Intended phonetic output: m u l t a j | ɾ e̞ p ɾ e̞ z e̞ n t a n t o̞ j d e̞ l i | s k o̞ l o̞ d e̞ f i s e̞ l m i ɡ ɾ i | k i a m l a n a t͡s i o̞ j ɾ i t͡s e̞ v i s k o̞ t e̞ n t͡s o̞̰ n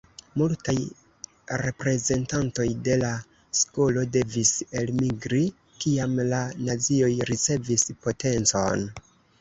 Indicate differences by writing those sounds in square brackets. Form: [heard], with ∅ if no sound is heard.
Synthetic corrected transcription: m u l t a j | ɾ e̞ p ɾ e̞ z e̞ n t a n t o̞ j d e̞ l [a] | s k o̞ l o̞ d e̞ [v] i s e̞ l m i ɡ ɾ i | k i a m l a n a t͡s i o̞ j ɾ i t͡s e̞ v i s [p] o̞ t e̞ n t͡s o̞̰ n